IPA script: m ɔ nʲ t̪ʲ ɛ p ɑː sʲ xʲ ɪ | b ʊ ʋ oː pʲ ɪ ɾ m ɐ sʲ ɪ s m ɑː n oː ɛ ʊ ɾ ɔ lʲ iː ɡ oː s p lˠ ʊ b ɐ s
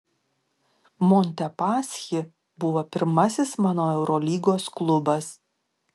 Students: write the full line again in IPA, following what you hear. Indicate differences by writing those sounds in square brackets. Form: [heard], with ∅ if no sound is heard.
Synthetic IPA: m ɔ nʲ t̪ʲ ɛ p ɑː sʲ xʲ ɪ | b ʊ ʋ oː pʲ ɪ ɾ m ɐ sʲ ɪ s m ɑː n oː ɛ ʊ ɾ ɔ lʲ iː ɡ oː s [k] lˠ ʊ b ɐ s